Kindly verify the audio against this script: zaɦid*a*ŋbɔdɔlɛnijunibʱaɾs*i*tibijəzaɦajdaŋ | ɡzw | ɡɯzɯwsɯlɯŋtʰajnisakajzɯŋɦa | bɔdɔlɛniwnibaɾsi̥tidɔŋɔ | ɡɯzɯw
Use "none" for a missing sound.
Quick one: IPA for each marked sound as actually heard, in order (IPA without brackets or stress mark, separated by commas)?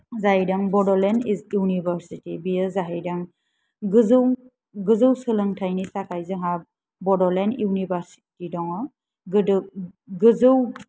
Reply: a, i